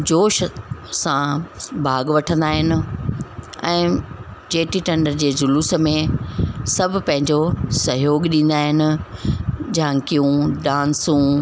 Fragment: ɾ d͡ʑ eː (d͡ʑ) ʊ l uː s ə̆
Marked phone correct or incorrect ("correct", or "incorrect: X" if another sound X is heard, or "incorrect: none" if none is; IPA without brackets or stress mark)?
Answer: correct